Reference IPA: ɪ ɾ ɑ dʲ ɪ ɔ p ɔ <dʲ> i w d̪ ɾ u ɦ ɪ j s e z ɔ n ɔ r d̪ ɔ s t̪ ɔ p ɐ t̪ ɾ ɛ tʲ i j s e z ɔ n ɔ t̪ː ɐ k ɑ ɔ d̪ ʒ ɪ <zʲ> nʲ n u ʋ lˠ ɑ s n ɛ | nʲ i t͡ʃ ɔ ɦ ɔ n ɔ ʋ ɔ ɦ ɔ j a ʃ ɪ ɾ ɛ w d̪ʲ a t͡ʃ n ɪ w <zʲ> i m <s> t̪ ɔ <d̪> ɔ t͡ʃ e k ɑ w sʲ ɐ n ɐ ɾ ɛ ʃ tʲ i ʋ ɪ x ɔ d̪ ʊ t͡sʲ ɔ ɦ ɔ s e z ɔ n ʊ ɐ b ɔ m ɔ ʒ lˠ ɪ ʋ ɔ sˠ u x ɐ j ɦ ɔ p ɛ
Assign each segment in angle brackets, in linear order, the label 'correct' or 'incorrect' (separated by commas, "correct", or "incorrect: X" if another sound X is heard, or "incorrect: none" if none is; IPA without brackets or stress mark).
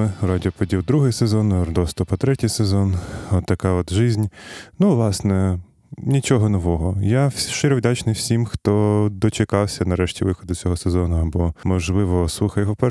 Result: correct, correct, incorrect: sʲ, incorrect: x, correct